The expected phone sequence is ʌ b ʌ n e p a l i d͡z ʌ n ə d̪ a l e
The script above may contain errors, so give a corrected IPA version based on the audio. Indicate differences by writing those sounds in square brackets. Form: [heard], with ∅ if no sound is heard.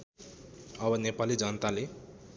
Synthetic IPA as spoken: ʌ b ʌ n e p a l i d͡z ʌ n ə [t̪] a l e